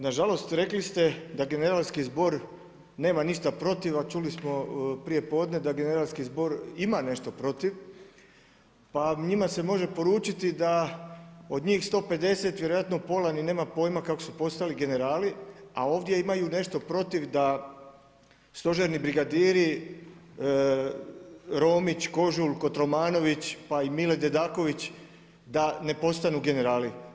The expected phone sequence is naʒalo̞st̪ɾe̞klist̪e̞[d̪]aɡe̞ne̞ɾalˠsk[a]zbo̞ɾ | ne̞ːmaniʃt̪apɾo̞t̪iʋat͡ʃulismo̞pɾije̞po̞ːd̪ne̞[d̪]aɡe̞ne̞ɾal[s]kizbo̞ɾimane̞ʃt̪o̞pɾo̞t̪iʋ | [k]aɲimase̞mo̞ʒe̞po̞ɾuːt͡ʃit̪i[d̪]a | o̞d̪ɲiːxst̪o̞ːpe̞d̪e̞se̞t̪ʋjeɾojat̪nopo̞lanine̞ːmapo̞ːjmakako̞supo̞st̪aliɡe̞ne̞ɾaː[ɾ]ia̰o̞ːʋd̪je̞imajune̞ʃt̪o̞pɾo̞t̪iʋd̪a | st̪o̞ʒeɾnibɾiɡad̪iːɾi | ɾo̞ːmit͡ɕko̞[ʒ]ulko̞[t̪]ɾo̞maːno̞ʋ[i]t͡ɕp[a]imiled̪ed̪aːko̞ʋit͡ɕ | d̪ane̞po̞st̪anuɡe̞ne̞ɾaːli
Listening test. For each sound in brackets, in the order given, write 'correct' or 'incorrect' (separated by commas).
correct, incorrect, correct, correct, incorrect, correct, incorrect, correct, correct, correct, correct